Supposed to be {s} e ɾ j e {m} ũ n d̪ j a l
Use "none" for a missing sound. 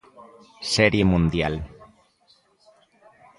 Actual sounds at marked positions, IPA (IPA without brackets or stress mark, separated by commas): s, m